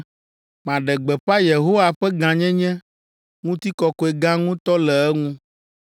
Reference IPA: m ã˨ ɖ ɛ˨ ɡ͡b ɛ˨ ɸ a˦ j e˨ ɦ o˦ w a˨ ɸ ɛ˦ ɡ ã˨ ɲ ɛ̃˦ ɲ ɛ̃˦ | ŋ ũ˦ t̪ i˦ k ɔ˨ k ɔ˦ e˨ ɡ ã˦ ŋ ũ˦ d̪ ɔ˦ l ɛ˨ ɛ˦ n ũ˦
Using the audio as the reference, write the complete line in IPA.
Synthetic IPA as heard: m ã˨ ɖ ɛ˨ ɡ͡b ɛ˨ ɸ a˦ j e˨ ɦ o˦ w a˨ ɸ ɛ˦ ɡ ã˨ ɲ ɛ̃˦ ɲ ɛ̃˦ | ŋ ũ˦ t̪ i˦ k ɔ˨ k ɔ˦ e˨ ɡ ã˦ ŋ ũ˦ t̪ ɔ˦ l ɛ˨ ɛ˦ ŋ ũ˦